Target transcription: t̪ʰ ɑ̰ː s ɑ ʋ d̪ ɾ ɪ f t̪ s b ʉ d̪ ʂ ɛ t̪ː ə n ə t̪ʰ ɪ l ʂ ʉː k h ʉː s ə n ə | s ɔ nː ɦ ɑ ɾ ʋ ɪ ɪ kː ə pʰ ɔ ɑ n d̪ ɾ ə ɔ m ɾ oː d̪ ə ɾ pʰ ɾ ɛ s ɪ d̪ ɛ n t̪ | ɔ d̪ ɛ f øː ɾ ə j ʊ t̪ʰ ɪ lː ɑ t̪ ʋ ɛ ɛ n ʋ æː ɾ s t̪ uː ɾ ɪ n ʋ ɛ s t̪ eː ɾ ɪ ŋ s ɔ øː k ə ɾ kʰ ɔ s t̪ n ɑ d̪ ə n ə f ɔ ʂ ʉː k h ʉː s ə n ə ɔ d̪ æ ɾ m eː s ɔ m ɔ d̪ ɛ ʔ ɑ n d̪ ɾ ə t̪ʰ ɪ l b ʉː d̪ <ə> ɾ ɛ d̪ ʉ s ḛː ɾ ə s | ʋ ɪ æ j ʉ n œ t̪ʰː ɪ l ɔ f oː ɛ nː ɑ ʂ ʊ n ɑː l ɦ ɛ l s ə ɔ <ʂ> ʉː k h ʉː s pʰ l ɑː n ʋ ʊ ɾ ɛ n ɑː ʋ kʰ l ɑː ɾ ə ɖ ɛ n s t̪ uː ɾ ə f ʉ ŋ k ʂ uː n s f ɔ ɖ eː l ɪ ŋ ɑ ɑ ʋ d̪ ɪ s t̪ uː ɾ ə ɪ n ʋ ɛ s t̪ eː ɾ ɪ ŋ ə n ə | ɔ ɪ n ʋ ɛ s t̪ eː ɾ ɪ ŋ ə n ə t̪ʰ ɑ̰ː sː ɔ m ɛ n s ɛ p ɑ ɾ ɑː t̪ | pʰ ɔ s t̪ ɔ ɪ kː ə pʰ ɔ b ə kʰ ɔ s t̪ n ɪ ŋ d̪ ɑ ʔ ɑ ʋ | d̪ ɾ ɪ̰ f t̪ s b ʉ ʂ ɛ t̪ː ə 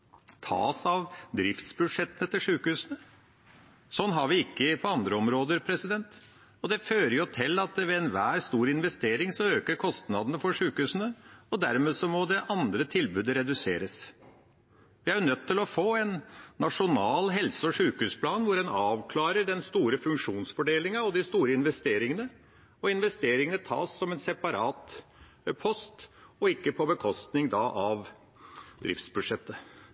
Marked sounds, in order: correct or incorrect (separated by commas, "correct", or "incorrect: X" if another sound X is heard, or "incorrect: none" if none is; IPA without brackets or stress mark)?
correct, correct